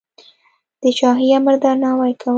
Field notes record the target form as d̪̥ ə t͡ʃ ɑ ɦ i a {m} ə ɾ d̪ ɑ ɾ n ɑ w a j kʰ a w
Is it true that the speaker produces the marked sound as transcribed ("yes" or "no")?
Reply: yes